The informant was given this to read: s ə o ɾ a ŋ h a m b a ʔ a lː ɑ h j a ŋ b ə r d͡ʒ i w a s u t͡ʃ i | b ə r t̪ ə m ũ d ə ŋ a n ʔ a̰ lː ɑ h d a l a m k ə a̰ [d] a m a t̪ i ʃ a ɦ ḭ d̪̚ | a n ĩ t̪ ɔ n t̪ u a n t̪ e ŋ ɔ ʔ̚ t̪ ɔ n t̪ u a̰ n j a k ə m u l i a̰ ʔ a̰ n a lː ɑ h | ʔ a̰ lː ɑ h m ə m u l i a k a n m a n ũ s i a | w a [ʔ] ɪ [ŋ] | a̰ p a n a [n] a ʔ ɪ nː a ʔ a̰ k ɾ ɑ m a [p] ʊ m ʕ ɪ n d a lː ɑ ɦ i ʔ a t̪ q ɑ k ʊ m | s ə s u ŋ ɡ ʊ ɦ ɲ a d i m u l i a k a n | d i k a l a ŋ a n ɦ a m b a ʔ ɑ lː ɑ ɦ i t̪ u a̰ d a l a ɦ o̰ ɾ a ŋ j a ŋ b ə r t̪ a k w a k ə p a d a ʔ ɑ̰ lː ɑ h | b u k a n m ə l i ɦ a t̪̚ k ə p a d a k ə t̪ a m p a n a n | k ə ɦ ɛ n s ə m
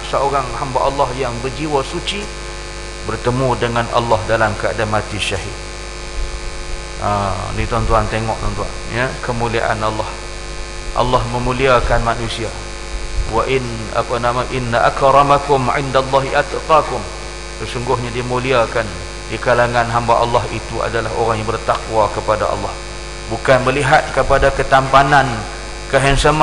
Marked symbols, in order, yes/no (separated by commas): yes, yes, no, no, no